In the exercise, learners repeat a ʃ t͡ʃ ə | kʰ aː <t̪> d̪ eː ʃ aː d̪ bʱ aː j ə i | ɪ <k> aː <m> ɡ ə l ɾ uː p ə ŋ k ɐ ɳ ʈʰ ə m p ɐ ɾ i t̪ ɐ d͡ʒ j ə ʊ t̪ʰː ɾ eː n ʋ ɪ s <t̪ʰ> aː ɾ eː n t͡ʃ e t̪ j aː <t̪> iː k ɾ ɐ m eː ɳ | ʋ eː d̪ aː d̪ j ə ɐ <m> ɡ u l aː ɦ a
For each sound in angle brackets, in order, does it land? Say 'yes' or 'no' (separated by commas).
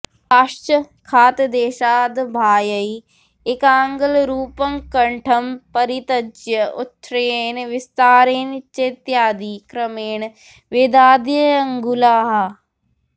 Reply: yes, yes, no, no, no, no